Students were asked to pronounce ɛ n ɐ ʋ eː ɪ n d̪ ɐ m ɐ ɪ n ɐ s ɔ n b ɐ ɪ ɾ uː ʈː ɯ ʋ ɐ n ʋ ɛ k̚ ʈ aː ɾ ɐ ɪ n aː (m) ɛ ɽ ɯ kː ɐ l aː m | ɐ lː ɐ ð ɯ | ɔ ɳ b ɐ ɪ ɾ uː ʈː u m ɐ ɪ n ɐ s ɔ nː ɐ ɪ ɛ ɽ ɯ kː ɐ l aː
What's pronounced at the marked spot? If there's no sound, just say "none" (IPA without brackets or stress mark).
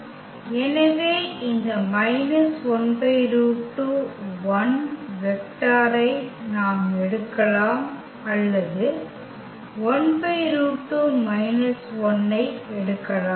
m